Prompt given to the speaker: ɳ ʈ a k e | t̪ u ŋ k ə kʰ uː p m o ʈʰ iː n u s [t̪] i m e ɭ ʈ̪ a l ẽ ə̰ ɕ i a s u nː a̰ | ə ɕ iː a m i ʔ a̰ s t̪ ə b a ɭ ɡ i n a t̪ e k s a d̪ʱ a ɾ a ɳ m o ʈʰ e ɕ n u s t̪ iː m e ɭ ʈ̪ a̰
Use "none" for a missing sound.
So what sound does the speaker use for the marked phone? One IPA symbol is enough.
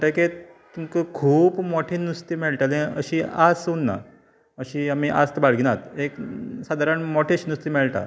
t̪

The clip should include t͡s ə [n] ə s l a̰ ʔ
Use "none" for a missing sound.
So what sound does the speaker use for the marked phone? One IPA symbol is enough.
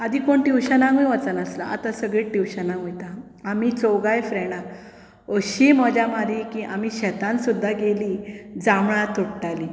n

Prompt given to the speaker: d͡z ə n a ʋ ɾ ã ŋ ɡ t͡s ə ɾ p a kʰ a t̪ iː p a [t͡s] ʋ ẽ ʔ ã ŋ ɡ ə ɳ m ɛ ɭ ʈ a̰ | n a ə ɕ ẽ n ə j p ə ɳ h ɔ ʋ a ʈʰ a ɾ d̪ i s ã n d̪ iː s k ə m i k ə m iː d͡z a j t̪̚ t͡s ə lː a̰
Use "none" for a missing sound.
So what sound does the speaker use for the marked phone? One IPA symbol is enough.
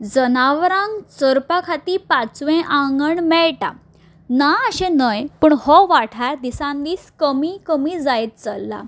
t͡s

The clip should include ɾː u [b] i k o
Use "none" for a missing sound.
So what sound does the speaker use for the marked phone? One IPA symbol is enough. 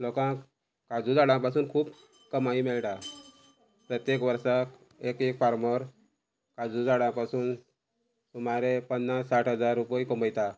p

